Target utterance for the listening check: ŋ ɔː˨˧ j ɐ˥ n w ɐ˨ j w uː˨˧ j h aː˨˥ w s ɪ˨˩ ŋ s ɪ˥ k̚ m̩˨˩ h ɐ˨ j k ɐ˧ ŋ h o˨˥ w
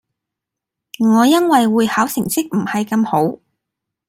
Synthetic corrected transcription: ŋ ɔː˨˧ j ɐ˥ n w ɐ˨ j w uː˨˧ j h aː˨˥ w s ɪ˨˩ ŋ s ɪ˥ k̚ m̩˨˩ h ɐ˨ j k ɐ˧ m h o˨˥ w